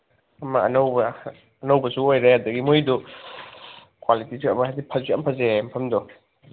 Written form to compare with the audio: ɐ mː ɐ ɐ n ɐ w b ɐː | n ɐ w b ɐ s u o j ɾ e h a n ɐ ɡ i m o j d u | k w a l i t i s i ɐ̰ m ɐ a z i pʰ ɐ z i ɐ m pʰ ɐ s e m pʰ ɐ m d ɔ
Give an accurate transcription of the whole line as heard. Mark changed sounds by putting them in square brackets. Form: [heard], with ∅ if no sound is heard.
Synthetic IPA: ɐ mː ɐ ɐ n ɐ w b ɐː | n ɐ w b ɐ s u o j ɾ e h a [d] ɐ ɡ i m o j d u | k w a l i t i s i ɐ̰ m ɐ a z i pʰ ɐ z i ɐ m pʰ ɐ [z] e m pʰ ɐ m d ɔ